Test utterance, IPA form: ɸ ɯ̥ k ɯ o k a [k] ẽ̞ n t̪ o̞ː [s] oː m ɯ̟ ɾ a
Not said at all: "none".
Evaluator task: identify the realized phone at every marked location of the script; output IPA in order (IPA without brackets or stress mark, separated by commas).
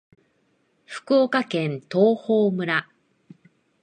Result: k, h